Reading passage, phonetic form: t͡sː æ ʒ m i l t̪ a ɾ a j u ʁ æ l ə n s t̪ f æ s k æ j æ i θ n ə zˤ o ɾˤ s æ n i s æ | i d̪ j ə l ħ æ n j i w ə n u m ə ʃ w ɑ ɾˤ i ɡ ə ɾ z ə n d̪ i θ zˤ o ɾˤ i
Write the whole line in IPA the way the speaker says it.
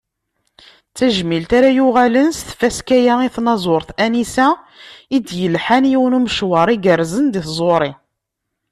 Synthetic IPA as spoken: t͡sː æ ʒ m i l t̪ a ɾ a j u ʁ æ l ə n s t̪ f æ s k æ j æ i θ n ɑ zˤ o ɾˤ θ æ n i s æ | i d̪ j ə l ħ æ n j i w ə n u m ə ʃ w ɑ ɾˤ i ɡ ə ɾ z ə n d̪ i θ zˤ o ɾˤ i